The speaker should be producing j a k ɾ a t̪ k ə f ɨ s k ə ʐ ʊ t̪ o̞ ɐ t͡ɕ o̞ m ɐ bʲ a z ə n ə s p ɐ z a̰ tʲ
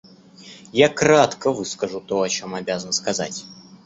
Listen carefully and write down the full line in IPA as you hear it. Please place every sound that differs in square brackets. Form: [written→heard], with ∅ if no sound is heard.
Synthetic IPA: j a k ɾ a t̪ k ə [f→v] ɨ s k ə ʐ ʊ t̪ o̞ ɐ t͡ɕ o̞ m ɐ bʲ a z ə n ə s [p→k] ɐ z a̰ tʲ